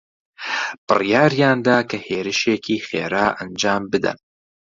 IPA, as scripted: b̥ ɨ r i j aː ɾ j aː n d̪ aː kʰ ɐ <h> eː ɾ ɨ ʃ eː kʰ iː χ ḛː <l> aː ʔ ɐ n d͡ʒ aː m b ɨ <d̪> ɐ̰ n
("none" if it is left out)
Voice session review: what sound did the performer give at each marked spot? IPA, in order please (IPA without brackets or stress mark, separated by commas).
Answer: h, ɾ, d̪